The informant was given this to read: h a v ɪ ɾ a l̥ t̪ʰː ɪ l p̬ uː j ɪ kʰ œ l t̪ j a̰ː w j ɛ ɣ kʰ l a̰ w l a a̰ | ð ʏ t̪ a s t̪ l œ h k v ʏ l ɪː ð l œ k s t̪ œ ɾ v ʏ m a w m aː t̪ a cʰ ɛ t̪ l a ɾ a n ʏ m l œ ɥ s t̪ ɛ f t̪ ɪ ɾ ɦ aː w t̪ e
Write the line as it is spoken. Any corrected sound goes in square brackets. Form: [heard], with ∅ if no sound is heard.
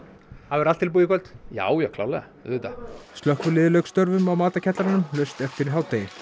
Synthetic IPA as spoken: h a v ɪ ɾ a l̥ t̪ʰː ɪ l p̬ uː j ɪ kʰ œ l t̪ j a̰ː w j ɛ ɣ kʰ l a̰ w l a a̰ | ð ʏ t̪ a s t̪ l œ h k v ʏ l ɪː ð l œ k s t̪ œ ɾ v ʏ m a w m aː t̪ a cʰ ɛ t̪ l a ɾ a n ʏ m l œ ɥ s t̪ ɛ f t̪ ɪ ɾ ɦ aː w t̪ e